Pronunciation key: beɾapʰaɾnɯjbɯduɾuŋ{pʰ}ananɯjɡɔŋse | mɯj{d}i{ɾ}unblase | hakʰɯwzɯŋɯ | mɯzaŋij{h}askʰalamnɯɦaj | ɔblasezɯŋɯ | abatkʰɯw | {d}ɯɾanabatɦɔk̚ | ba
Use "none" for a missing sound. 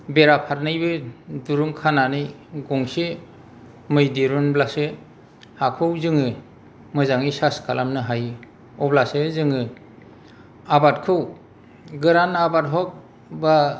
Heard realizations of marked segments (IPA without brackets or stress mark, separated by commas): kʰ, d, ɾ, s, ɡ